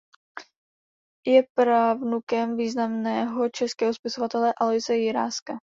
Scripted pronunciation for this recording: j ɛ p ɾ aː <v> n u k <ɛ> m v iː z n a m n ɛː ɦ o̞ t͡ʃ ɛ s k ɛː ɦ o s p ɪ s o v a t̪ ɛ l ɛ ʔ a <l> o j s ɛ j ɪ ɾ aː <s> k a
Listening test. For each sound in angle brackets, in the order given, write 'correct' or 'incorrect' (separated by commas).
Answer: correct, correct, correct, correct